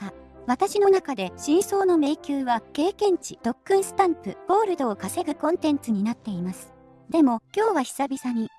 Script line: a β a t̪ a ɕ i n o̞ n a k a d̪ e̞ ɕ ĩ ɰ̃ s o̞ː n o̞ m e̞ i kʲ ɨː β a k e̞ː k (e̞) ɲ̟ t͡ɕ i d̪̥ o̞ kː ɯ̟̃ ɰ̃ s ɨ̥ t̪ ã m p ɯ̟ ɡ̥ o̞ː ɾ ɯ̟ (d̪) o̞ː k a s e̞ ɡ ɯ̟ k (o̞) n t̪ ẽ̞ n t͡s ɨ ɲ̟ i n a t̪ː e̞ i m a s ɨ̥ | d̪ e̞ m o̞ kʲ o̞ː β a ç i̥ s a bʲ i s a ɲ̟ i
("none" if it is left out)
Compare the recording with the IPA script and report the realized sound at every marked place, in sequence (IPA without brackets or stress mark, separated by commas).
ẽ̞, d̪, õ̞